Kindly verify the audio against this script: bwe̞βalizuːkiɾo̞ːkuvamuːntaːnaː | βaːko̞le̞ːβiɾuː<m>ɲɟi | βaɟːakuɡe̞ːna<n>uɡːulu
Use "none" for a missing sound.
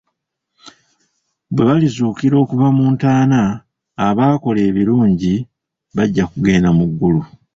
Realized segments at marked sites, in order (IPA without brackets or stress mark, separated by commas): none, m